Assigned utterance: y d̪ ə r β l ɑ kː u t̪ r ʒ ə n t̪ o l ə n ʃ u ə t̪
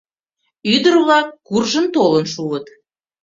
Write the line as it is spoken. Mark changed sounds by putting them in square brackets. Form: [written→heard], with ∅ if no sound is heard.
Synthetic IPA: y d̪ ə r β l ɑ kː u [t̪→∅] r ʒ ə n t̪ o l ə n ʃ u ə t̪